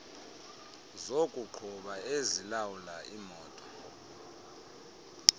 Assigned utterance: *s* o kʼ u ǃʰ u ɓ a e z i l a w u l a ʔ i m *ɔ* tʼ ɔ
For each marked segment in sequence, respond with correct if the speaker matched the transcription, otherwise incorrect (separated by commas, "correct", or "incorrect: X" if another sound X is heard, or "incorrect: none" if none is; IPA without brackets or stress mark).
incorrect: z, incorrect: ɔː